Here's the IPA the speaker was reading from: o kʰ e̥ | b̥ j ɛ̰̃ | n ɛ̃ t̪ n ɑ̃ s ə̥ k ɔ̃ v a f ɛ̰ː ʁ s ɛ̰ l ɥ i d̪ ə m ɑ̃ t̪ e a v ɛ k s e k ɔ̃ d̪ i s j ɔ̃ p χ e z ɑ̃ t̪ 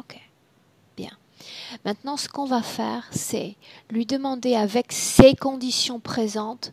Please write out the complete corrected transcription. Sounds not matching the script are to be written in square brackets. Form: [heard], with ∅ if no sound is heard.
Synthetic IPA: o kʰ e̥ | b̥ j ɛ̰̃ | [m] ɛ̃ t̪ n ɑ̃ s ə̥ k ɔ̃ v a f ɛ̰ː ʁ s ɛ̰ l ɥ i d̪ ə m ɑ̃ [d̪] e a v ɛ k s e k ɔ̃ d̪ i s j ɔ̃ p χ e z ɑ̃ t̪